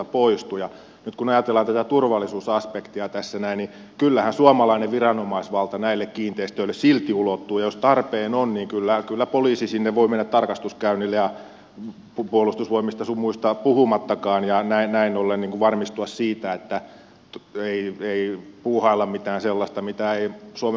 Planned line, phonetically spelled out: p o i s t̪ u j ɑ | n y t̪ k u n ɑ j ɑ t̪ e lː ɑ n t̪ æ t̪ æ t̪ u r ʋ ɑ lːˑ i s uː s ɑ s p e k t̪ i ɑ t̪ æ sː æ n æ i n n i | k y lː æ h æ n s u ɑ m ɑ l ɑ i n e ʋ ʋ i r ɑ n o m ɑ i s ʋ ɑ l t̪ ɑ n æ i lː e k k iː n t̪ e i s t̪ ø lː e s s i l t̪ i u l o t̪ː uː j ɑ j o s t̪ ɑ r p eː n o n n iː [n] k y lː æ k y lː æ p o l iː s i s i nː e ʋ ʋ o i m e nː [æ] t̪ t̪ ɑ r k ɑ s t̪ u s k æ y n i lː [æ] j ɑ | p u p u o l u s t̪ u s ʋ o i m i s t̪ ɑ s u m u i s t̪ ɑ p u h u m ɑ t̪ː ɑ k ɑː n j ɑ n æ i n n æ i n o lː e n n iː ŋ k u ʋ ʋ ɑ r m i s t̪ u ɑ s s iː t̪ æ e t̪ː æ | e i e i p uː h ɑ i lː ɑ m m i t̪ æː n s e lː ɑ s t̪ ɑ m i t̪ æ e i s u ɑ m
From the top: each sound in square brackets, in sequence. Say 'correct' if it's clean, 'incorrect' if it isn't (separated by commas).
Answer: incorrect, correct, incorrect